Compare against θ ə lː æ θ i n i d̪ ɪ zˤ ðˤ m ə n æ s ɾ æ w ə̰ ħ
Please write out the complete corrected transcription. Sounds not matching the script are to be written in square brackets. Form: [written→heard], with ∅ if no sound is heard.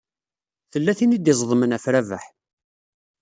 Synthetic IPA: θ ə lː æ θ i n i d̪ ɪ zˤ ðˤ m ə n æ [s→f] ɾ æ [w→v] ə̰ ħ